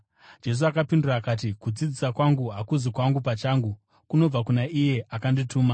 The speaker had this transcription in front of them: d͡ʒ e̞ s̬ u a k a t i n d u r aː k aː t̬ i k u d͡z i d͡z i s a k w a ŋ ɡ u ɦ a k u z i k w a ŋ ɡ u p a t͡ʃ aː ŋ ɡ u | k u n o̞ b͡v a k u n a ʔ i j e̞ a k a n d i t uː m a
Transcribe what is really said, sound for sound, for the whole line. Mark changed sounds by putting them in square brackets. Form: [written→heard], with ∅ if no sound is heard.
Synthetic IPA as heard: d͡ʒ e̞ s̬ u a k a [t→p] i n d u r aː k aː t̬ i k u d͡z i d͡z i s a k w a ŋ ɡ u ɦ a k u z i k w a ŋ ɡ u p a t͡ʃ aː ŋ ɡ u | k u n o̞ b͡v a k u n a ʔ i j e̞ a k a n d i t uː m a